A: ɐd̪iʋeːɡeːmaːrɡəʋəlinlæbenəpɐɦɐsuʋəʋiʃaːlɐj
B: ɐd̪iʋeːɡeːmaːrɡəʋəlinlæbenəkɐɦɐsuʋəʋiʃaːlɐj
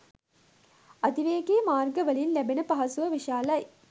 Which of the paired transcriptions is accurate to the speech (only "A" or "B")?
A